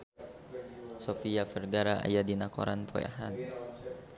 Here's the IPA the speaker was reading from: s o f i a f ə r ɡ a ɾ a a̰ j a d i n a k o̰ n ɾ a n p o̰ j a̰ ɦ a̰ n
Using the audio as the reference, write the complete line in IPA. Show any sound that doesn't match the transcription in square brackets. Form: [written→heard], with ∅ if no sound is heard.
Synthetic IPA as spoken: s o f i a f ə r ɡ a ɾ a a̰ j a d i n a k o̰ [n→∅] ɾ a n p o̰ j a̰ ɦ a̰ n